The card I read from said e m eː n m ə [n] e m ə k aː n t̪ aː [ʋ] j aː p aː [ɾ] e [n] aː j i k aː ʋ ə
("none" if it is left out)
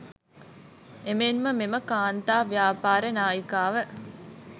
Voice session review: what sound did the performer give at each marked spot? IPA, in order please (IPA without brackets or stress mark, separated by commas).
m, ʋ, ɾ, n